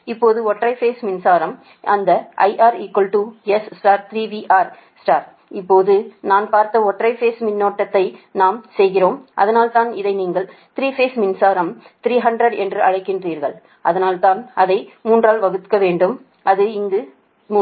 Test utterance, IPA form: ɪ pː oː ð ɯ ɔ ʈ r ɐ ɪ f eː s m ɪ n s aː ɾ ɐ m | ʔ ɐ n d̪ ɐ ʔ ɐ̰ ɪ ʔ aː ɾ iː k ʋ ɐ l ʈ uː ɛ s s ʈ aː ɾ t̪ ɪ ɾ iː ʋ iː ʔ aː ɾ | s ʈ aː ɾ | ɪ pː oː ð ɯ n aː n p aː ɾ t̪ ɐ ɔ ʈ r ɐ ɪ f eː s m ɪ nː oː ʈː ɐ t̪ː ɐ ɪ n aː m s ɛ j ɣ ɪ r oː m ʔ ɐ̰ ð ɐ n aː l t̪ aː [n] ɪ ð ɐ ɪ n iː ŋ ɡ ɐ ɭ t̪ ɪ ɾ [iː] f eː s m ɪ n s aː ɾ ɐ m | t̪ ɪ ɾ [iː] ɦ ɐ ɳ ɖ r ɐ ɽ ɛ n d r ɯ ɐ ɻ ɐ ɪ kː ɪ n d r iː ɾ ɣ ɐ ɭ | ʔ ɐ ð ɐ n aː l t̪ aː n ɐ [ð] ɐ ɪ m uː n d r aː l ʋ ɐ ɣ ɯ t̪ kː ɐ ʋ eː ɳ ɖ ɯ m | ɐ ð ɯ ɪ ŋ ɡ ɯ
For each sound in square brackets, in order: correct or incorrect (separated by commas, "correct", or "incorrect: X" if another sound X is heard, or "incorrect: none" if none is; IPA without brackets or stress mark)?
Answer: correct, correct, correct, correct